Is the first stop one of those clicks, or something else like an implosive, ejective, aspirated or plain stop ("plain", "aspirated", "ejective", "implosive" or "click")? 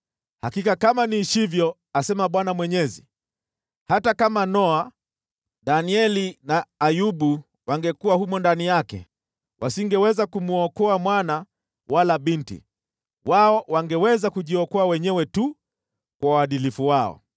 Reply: plain